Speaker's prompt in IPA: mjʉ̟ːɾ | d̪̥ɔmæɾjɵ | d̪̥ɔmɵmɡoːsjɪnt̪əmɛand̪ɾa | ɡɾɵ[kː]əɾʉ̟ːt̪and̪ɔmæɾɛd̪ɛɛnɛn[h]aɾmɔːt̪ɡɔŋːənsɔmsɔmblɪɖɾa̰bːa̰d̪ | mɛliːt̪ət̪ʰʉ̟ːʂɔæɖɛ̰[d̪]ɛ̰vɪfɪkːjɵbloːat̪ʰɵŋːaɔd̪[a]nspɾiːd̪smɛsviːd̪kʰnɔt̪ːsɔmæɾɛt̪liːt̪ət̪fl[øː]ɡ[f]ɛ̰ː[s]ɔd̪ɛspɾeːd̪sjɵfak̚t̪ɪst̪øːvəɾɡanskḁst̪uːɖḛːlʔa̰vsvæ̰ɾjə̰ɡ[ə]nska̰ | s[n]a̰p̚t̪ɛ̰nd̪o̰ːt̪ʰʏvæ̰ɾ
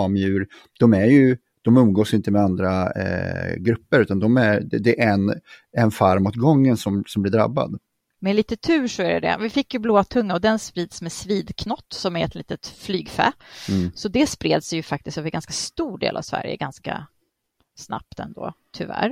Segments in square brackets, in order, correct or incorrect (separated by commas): incorrect, incorrect, correct, incorrect, incorrect, correct, correct, incorrect, correct